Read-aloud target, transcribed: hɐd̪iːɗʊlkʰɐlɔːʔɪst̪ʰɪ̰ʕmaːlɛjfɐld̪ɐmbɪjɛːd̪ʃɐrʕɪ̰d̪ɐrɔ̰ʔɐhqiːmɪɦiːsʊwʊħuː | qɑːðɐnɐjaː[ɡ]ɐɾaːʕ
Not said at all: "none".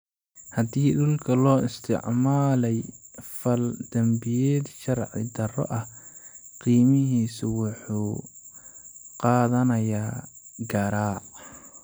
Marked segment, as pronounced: ɡ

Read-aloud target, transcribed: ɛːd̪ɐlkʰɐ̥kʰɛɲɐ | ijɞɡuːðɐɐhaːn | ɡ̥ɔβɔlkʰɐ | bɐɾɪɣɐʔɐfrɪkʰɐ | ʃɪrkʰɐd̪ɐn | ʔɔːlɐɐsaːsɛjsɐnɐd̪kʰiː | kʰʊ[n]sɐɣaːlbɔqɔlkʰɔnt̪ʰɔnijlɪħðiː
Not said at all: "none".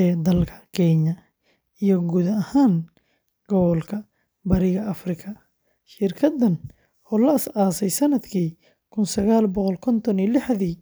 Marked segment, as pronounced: n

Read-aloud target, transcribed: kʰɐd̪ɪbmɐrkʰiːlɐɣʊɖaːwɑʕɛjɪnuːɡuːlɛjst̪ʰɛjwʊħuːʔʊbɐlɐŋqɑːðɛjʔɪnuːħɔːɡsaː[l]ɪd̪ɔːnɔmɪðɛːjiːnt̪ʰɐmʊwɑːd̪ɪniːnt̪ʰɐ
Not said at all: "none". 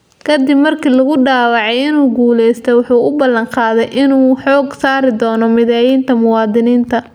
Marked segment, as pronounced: ɾ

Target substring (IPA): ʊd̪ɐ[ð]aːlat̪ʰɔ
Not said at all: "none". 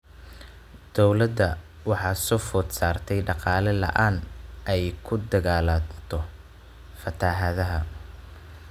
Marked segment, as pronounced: ɣ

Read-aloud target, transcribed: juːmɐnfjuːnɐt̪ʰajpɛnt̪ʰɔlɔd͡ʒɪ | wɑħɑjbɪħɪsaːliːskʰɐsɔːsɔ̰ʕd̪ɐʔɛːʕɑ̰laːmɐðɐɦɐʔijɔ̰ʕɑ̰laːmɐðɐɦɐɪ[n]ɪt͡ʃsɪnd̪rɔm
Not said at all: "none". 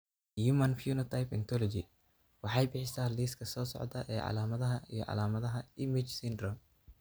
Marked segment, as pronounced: m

